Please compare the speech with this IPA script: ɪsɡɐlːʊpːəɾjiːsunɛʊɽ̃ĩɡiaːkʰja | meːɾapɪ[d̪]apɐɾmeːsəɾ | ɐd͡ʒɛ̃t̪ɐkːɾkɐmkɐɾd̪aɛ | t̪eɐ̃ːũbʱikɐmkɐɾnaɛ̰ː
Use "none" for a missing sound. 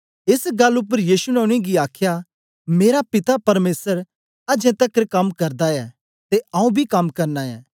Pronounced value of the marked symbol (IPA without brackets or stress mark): t̪